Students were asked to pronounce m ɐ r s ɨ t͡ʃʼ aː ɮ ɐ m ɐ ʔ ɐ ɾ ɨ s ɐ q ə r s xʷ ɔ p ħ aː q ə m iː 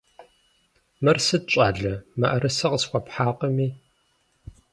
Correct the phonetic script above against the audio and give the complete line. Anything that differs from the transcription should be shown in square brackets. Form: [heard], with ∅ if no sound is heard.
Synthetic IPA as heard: m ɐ r s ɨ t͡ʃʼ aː ɮ ɐ m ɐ ʔ ɐ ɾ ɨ s ɐ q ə [∅] s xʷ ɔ p ħ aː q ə m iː